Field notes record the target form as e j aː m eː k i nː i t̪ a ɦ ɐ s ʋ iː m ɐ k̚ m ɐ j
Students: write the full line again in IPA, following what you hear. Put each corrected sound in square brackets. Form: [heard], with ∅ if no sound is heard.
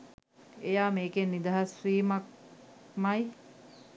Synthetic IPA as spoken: e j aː m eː k [e] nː i [d̪] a ɦ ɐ s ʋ iː m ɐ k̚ m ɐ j